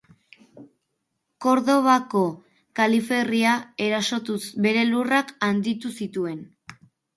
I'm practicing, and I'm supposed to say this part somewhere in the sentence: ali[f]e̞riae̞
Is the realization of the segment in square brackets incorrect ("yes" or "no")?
no